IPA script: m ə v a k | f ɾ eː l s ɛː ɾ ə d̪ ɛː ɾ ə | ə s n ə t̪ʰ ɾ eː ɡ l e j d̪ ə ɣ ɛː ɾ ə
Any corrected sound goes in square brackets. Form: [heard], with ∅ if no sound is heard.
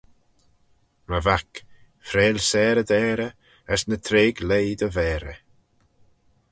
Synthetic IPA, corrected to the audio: m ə v a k | f ɾ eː l s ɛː ɾ ə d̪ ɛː ɾ ə | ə s n ə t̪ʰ ɾ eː ɡ l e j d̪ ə [v] ɛː ɾ ə